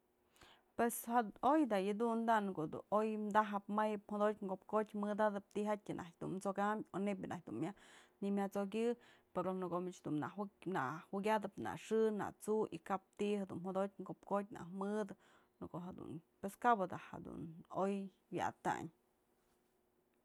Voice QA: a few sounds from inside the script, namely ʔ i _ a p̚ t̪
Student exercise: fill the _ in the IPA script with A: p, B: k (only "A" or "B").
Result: B